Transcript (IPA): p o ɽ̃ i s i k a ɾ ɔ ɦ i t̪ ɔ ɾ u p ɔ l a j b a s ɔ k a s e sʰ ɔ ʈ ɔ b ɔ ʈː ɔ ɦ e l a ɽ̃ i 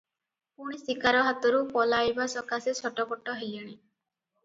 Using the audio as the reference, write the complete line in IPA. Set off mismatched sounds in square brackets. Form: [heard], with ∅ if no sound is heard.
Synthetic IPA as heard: p [u] ɽ̃ i s i k a ɾ ɔ ɦ [a] t̪ ɔ ɾ u p ɔ l a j b a s ɔ k a s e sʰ ɔ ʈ ɔ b ɔ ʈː ɔ ɦ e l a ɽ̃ i